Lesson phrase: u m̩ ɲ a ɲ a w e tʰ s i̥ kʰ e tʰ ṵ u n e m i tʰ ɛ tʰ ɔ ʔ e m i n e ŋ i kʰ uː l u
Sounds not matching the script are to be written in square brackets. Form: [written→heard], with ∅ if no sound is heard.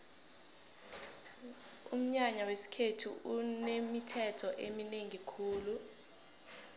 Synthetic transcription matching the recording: u m̩ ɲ a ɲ a w e [tʰ→∅] s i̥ kʰ e tʰ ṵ u n e m i tʰ ɛ tʰ ɔ ʔ e m i n e ŋ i kʰ uː l u